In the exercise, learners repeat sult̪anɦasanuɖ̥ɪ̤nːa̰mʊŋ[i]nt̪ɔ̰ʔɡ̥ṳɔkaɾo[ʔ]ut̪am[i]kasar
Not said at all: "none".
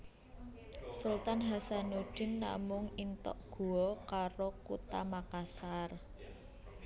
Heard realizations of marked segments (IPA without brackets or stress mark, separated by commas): i, k, a